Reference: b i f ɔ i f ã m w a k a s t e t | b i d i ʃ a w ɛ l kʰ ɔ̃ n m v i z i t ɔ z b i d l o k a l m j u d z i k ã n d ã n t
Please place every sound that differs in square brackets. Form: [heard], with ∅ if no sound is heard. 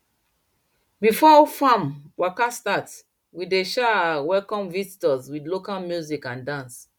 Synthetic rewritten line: b i f ɔ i f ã m w a k a s t [a] t | [w] i d [e] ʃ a w ɛ l [k] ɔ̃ [∅] m v i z i t ɔ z [w] i d l o k a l m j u [∅] z i k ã n d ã n [s]